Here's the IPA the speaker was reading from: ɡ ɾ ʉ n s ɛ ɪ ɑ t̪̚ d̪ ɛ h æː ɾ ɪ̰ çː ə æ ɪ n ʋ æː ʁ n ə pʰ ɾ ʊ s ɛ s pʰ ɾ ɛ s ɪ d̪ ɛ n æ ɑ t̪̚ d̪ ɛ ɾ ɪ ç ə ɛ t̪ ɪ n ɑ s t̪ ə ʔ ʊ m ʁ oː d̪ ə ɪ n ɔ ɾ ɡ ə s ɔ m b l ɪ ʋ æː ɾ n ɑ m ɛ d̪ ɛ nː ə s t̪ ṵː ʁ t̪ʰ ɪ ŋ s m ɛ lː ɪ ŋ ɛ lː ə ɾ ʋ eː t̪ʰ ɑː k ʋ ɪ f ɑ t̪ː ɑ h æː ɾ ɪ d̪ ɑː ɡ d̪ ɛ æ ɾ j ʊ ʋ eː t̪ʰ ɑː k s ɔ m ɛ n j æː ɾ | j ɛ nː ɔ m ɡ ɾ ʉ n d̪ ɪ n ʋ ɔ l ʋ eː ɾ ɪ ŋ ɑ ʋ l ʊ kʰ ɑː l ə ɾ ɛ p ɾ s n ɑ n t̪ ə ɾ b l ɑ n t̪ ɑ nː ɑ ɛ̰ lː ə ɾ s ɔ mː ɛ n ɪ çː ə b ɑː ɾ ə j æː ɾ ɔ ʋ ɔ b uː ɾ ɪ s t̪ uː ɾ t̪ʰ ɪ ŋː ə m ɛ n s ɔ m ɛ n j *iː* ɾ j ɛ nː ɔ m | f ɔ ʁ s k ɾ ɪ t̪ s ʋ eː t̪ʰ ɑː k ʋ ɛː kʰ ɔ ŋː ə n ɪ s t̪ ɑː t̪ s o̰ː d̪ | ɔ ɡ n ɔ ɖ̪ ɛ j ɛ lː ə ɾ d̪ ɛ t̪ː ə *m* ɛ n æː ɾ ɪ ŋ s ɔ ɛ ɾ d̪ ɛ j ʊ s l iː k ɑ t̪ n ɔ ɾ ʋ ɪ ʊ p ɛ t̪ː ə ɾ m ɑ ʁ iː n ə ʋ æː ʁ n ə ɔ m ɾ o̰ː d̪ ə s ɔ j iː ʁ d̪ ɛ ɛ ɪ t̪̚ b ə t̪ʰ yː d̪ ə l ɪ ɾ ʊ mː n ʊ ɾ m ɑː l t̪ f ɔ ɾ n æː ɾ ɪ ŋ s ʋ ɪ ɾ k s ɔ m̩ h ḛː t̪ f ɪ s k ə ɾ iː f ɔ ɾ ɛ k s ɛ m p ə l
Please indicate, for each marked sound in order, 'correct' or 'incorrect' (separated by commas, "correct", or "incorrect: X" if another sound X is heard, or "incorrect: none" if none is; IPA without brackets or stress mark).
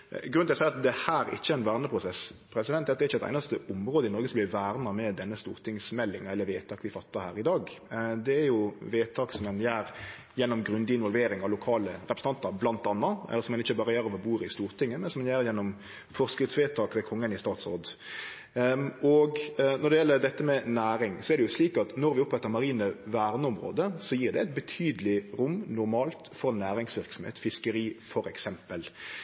incorrect: æː, correct